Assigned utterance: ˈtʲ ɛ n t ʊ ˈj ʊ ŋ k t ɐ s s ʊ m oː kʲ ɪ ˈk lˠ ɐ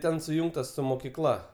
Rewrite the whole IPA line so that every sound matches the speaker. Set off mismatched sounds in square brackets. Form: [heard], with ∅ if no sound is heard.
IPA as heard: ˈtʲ ɛ n [s] ʊ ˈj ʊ ŋ k t ɐ s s ʊ m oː kʲ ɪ ˈk lˠ ɐ